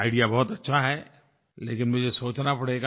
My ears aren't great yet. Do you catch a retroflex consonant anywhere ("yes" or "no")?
yes